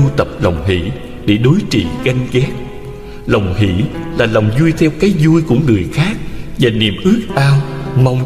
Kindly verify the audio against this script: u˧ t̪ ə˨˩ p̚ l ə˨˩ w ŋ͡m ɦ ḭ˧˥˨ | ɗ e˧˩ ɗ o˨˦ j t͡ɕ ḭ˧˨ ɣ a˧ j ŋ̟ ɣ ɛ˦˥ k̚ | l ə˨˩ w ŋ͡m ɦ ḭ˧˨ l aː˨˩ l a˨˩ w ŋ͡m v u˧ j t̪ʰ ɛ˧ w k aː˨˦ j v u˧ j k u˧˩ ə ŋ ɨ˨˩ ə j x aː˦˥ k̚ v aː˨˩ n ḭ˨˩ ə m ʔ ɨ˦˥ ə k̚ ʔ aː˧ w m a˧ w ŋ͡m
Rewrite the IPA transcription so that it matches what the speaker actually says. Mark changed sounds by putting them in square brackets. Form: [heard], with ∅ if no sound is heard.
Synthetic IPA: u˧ t̪ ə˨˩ p̚ l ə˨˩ w ŋ͡m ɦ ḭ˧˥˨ | ɗ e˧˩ ɗ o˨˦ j t͡ɕ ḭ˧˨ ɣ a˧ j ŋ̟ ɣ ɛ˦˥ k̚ | l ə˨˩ w ŋ͡m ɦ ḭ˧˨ l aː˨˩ l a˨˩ w ŋ͡m [z] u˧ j t̪ʰ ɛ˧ w k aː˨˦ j [z] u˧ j k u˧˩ ə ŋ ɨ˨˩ ə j x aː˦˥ k̚ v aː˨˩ n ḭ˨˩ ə m ʔ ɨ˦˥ ə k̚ ʔ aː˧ w m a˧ w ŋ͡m